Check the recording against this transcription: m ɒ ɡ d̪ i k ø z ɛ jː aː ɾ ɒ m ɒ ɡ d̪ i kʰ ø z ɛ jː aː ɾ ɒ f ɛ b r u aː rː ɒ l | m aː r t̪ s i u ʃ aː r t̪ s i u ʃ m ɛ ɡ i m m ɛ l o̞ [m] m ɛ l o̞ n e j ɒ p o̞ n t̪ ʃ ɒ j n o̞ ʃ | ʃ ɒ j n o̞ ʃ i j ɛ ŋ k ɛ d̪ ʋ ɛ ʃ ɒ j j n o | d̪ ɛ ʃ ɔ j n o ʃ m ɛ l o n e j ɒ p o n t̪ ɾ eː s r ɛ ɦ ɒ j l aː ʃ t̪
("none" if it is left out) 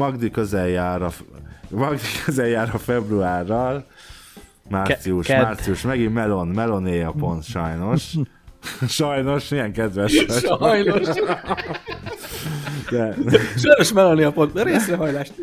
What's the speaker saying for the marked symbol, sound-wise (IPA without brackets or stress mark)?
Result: n